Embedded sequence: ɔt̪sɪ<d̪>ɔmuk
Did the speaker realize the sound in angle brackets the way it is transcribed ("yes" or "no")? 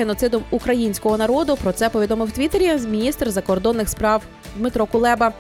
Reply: yes